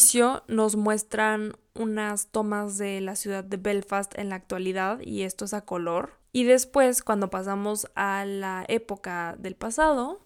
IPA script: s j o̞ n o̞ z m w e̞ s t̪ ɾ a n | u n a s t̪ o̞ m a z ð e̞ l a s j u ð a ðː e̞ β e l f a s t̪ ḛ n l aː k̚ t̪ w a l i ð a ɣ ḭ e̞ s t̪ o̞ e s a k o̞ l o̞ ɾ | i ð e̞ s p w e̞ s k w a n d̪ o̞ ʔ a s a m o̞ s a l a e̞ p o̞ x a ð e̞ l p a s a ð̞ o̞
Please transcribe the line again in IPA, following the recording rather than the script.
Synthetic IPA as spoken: s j o̞ n o̞ z m w e̞ s t̪ ɾ a n | u n a s t̪ o̞ m a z ð e̞ l a s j u ð a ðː e̞ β e l f a s t̪ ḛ n l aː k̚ t̪ w a l i ð a ð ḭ e̞ s t̪ o̞ e s a k o̞ l o̞ ɾ | i ð e̞ s p w e̞ s k w a n d̪ o̞ p a s a m o̞ s a l a e̞ p o̞ k a ð e̞ l p a s a ð̞ o̞